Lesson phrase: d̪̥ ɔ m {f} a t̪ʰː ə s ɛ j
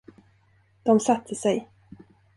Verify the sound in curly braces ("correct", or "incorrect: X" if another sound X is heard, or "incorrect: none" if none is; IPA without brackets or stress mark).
incorrect: s